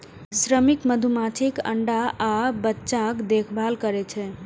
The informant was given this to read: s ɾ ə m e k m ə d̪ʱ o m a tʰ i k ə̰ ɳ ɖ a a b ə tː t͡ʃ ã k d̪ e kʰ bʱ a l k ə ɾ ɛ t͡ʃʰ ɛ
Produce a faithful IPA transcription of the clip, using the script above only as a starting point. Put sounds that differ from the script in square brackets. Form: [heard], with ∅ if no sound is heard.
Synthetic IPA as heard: s ɾ ə m [i] k m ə d̪ʱ [u] m a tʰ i k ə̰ ɳ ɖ a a b ə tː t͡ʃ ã k d̪ e kʰ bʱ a l k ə ɾ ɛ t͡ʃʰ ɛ

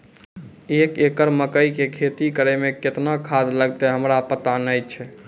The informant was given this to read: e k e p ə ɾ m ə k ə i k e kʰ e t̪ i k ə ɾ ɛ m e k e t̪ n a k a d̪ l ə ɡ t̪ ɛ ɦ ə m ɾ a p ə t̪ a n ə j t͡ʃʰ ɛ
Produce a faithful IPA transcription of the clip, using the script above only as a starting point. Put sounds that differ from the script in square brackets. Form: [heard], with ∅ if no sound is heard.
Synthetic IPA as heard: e k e [k] ə ɾ m ə k ə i k e kʰ e t̪ i k ə ɾ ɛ m e k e t̪ n a [kʰ] a d̪ l ə ɡ t̪ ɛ ɦ ə m ɾ a p ə t̪ a n ə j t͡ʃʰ ɛ

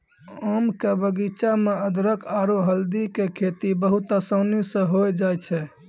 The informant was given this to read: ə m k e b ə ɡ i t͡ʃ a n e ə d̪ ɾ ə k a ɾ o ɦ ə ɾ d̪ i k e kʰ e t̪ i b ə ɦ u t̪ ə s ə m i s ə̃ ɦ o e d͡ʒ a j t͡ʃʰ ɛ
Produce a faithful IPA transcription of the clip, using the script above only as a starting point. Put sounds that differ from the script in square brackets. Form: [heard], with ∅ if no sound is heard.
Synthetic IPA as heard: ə m k e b ə ɡ i t͡ʃ a [m] e ə d̪ ɾ ə k a ɾ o ɦ ə [l] d̪ i k e kʰ e t̪ i b ə ɦ u t̪ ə s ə [n] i s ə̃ ɦ o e d͡ʒ a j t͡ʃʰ ɛ

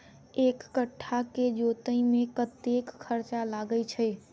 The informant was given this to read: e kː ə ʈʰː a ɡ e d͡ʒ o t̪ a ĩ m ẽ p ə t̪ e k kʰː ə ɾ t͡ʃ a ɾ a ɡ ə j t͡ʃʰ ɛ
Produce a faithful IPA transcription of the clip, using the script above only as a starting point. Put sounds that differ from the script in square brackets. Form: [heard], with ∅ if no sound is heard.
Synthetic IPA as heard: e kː ə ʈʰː a [k] e d͡ʒ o t̪ [ə] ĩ m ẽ [k] ə t̪ e k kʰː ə ɾ t͡ʃ a [l] a ɡ ə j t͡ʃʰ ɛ

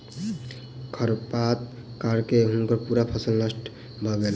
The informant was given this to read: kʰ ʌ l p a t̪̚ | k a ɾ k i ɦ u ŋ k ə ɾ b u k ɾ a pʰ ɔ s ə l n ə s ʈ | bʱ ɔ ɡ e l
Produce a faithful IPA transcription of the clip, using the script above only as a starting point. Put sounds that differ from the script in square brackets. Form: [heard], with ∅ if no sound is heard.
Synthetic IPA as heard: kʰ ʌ [ɾ] p a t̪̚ | k a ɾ k [e] ɦ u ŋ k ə ɾ [p] u [∅] ɾ a pʰ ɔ s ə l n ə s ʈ | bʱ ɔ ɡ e l

